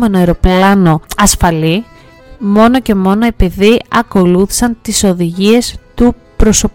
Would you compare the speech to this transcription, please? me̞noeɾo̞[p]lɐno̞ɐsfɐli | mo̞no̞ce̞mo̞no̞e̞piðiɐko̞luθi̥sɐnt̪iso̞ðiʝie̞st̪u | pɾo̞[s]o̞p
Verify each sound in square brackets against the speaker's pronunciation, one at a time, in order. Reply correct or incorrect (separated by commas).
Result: correct, correct